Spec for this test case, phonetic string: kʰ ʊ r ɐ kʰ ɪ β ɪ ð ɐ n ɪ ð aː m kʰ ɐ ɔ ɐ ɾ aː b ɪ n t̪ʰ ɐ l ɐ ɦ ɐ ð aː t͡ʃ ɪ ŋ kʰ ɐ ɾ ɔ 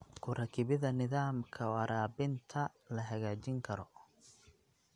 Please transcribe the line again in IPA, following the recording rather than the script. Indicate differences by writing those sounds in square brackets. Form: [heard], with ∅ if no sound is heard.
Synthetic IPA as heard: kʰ ʊ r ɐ kʰ ɪ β ɪ ð ɐ n ɪ ð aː m kʰ ɐ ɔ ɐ ɾ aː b ɪ n t̪ʰ ɐ l ɐ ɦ ɐ [ɣ] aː t͡ʃ ɪ ŋ kʰ ɐ ɾ ɔ